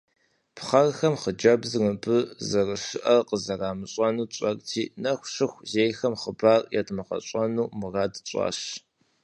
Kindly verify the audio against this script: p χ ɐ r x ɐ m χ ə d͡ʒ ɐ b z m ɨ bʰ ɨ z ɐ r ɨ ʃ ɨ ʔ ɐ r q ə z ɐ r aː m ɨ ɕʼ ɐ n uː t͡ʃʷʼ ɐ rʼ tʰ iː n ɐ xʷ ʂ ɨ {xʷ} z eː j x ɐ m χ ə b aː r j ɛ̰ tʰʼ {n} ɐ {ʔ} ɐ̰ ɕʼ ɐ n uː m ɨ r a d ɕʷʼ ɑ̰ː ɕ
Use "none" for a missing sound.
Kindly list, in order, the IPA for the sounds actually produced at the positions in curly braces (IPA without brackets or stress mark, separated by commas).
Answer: xʷ, m, q